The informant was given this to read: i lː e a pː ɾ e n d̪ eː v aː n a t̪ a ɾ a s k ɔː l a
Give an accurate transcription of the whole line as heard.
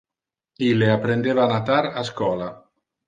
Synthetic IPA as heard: i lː e a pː ɾ e n d̪ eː v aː n a t̪ a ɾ a s k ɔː l a